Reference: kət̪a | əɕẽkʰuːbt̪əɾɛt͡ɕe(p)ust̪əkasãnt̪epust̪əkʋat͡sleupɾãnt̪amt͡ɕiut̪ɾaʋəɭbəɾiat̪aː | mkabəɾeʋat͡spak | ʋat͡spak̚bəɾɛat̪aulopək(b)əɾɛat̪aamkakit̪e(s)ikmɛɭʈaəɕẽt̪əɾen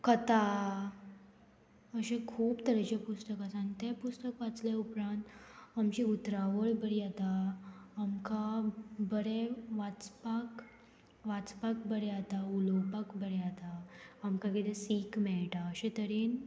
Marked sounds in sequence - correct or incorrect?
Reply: correct, correct, correct

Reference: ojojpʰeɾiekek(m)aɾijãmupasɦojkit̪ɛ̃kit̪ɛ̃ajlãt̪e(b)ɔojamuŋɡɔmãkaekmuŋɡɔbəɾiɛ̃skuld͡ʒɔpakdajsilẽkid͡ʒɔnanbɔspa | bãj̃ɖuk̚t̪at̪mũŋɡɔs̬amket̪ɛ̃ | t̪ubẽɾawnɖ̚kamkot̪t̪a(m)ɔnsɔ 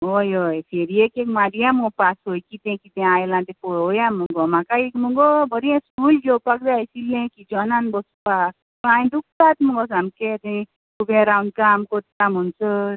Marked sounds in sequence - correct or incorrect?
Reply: correct, incorrect, correct

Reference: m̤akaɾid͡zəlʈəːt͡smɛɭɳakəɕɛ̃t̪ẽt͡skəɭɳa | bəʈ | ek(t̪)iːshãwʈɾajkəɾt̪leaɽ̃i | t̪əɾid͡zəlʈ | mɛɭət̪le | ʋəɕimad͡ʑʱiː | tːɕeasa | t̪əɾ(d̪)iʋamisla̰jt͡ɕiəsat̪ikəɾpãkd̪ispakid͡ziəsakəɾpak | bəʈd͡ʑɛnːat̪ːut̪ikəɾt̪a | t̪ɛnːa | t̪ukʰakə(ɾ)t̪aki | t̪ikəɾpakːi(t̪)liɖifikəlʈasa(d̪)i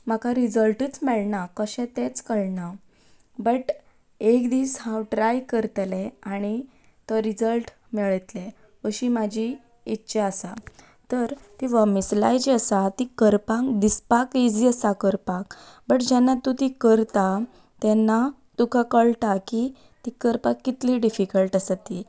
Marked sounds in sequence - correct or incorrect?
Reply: incorrect, incorrect, incorrect, correct, incorrect

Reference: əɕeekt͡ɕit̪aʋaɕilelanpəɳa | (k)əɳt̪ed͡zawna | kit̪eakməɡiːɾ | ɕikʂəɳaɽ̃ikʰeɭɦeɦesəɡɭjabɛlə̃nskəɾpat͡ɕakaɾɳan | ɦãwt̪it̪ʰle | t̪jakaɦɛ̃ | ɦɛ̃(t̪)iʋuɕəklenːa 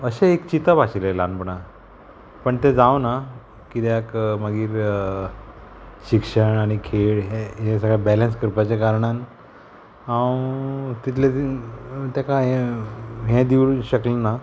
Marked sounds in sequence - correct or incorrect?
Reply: incorrect, incorrect

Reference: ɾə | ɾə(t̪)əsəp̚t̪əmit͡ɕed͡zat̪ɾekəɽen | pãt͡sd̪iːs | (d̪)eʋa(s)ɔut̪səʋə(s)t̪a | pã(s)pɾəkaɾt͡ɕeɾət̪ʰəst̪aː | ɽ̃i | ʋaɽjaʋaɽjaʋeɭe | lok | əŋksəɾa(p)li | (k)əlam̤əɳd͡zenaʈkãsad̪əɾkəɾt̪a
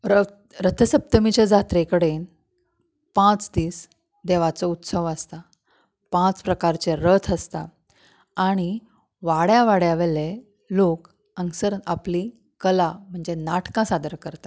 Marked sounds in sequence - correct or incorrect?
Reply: incorrect, correct, incorrect, correct, incorrect, correct, correct

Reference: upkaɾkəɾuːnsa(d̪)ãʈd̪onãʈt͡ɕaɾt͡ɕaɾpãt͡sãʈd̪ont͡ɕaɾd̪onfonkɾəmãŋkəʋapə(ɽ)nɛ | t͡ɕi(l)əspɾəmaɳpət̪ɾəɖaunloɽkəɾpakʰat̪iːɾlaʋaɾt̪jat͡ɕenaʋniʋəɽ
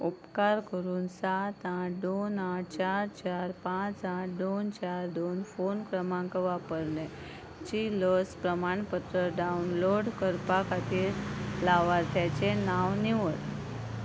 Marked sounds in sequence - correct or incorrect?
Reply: incorrect, incorrect, correct

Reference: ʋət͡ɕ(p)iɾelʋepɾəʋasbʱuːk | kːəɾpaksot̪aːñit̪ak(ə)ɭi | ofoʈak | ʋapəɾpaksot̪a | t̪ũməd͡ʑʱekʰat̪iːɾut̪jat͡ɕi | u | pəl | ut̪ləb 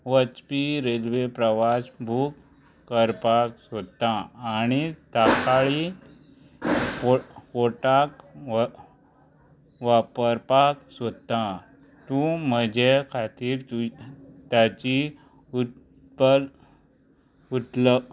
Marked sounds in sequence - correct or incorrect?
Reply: correct, incorrect

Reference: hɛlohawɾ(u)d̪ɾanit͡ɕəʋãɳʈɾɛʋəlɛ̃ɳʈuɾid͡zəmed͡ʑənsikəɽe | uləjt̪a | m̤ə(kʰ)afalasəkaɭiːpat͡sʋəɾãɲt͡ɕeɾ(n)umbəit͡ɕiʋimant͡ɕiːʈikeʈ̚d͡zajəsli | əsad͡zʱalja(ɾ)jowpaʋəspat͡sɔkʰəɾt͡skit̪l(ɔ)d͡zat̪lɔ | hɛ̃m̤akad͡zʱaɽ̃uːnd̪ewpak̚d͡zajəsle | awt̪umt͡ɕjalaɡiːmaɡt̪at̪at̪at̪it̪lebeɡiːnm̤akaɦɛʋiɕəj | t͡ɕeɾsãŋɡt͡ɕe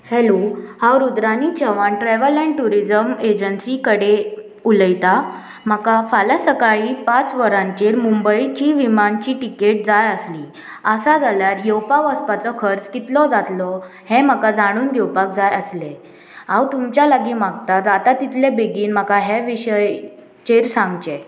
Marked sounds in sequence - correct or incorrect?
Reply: correct, incorrect, incorrect, correct, correct

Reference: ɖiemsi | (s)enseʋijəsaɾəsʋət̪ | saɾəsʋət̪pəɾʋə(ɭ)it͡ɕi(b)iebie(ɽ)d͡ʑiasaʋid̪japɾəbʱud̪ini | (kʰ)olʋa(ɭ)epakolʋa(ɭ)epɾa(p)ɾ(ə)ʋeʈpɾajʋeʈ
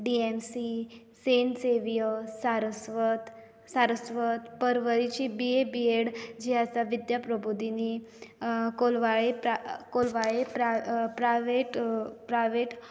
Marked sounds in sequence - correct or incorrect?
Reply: correct, incorrect, correct, correct, incorrect, correct, correct, correct, incorrect

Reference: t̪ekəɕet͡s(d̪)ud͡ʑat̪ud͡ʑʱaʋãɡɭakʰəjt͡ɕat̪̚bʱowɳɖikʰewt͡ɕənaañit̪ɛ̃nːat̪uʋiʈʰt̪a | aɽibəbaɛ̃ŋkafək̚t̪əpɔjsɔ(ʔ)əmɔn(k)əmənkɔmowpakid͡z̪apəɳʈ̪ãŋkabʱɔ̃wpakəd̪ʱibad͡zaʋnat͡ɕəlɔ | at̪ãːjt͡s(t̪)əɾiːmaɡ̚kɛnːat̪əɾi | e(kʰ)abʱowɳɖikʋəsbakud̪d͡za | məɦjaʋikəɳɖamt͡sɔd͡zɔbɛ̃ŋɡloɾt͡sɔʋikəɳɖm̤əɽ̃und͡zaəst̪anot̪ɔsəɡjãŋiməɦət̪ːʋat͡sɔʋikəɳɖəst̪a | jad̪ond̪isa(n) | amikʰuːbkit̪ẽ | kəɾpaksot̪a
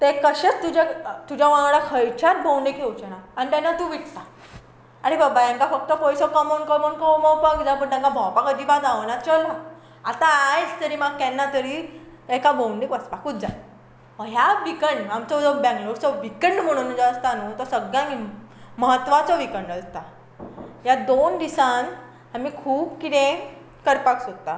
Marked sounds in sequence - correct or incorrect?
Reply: incorrect, incorrect, correct, correct, incorrect, correct

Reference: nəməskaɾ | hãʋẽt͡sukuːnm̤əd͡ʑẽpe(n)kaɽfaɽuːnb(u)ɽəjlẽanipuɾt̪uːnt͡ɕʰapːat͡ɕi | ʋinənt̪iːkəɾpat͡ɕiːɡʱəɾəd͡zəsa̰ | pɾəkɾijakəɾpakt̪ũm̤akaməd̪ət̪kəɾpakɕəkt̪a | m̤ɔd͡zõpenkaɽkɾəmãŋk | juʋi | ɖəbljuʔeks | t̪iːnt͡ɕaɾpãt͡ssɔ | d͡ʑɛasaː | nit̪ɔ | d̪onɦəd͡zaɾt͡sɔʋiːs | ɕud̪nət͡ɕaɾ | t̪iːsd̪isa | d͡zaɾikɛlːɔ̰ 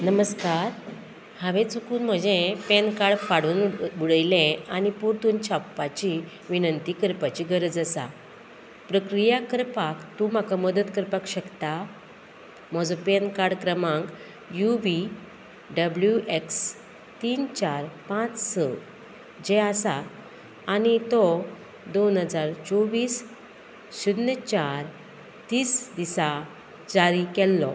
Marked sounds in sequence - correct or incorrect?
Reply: correct, correct

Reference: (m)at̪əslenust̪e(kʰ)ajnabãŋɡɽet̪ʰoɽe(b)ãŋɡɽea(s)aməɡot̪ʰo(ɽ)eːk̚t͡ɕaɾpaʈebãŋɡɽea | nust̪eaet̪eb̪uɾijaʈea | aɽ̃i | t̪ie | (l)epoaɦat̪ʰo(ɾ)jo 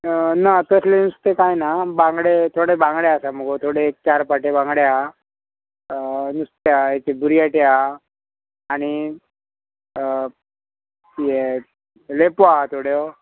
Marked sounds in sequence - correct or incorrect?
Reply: incorrect, incorrect, correct, correct, correct, correct, incorrect

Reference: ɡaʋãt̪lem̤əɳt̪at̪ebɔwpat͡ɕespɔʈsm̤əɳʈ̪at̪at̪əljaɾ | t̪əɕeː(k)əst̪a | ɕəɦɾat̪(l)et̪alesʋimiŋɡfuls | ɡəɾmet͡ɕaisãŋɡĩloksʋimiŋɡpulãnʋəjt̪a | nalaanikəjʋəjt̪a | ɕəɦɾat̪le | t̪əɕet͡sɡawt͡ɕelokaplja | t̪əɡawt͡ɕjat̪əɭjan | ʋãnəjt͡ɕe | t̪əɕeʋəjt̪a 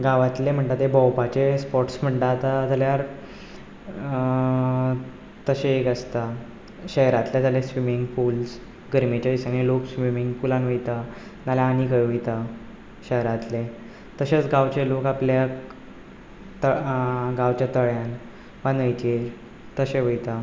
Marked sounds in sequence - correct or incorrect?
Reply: correct, correct

